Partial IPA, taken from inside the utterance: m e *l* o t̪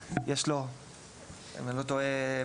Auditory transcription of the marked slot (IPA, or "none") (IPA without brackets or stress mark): l